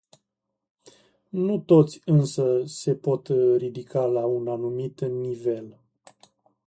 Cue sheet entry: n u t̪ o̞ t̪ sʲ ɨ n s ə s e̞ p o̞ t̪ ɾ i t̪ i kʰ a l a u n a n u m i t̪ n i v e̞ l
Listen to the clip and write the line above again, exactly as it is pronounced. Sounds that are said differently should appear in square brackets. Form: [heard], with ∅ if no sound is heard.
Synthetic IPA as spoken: n u t̪ o̞ t̪ sʲ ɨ n s ə s e̞ p o̞ t̪ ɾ i [d̪] i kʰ a l a u n a n u m i t̪ n i v e̞ l